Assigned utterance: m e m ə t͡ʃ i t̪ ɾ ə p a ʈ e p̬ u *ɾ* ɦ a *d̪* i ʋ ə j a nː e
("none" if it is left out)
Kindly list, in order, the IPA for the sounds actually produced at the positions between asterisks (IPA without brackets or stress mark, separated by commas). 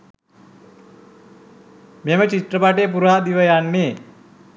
ɾ, d̪